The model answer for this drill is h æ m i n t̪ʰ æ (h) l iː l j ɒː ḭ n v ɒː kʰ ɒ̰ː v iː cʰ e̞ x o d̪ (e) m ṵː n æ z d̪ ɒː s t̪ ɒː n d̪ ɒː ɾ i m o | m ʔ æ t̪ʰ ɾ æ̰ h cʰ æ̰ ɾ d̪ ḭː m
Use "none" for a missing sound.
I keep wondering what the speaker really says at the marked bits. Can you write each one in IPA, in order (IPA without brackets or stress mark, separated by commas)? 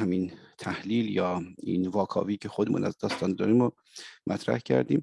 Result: h, e